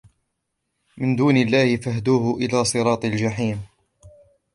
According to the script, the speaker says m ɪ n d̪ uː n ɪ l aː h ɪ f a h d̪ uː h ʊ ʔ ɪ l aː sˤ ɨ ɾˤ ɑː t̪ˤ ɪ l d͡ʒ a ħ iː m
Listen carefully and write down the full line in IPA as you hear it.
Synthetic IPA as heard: m ɪ n d̪ uː n ɪ lː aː h ɪ f a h d̪ uː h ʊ ʔ ɪ l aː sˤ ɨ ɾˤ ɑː t̪ˤ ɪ l d͡ʒ a ħ iː m